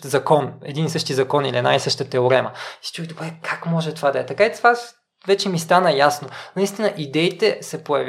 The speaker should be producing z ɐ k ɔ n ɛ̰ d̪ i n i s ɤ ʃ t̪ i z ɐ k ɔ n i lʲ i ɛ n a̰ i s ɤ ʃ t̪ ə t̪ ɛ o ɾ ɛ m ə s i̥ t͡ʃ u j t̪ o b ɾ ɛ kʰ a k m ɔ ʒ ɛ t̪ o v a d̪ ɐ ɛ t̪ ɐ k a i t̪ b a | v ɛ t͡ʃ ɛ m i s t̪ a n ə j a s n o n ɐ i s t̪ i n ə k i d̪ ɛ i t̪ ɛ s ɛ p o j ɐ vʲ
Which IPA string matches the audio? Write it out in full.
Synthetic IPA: z ɐ k ɔ n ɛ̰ d̪ i n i s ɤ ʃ t̪ i z ɐ k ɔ n i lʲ i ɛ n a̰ i s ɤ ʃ t̪ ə t̪ ɛ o ɾ ɛ m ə s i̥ t͡ʃ u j d̪ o b ɾ ɛ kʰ a k m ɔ ʒ ɛ t̪ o v a d̪ ɐ ɛ t̪ ɐ k a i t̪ v a | v ɛ t͡ʃ ɛ m i s t̪ a n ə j a s n o n ɐ i s t̪ i n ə ʔ i d̪ ɛ i t̪ ɛ s ɛ p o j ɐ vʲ